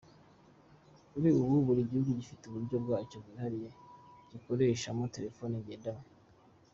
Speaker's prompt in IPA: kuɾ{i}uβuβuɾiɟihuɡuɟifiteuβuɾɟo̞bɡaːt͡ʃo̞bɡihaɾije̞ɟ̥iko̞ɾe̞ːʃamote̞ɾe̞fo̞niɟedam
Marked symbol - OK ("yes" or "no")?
yes